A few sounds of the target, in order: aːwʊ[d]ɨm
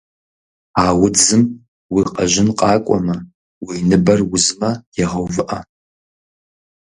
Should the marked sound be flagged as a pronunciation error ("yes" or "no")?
yes